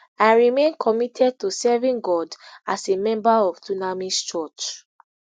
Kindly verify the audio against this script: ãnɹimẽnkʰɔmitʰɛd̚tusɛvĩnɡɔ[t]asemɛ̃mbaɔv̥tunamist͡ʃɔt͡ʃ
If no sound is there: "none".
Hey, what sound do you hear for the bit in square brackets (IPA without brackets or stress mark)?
d